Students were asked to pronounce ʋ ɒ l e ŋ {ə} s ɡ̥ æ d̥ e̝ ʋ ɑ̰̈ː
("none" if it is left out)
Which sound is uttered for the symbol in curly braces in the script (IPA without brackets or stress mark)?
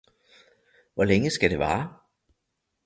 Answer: ə